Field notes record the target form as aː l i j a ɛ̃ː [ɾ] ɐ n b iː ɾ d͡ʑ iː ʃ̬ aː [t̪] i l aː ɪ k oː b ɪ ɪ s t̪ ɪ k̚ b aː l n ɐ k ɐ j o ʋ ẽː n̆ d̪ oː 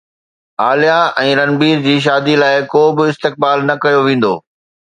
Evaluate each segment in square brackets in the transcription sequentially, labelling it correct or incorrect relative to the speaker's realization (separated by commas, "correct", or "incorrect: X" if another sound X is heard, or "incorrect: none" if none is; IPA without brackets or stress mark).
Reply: correct, incorrect: d̪